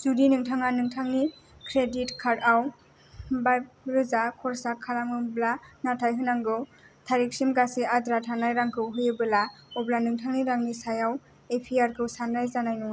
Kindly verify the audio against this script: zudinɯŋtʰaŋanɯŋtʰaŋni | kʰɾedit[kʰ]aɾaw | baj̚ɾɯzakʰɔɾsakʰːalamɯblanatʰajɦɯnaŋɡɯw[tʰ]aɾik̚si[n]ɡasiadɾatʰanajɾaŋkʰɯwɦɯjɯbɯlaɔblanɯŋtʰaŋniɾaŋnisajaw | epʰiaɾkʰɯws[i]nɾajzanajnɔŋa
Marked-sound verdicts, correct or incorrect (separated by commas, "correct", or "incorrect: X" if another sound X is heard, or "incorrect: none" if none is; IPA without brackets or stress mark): correct, correct, incorrect: m, incorrect: a